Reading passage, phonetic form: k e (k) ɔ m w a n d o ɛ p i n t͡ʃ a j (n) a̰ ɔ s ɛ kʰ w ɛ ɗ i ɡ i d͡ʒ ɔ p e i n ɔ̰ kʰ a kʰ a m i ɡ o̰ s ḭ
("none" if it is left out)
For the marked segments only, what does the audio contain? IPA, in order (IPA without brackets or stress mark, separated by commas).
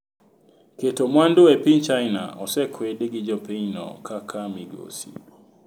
t, n